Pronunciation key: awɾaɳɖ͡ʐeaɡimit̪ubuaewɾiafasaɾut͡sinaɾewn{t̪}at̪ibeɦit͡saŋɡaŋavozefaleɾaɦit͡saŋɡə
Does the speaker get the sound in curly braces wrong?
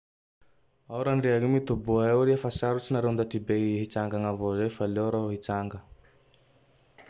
yes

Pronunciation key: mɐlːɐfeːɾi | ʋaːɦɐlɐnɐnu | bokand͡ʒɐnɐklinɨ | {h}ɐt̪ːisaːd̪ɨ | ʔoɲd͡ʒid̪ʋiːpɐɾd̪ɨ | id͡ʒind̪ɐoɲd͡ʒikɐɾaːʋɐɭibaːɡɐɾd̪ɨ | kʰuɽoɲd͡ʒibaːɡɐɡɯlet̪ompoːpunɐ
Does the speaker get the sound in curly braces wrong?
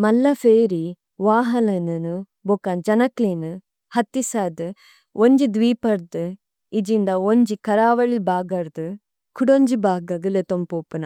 no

